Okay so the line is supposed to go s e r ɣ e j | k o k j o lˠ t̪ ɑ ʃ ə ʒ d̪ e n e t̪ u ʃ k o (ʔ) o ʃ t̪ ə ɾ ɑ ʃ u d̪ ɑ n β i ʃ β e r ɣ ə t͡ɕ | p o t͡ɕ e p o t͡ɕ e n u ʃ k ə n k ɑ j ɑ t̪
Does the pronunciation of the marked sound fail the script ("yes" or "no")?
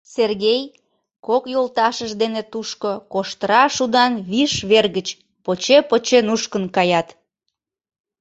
yes